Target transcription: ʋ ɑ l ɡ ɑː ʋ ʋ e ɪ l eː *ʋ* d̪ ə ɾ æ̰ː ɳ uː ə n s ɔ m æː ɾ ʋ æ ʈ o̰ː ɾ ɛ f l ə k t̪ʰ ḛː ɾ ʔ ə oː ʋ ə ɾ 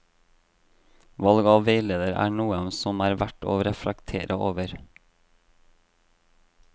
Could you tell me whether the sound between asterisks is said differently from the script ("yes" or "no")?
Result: yes